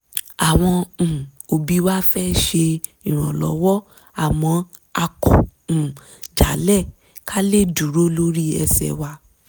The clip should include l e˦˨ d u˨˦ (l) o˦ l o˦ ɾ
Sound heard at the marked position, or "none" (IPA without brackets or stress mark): ɾ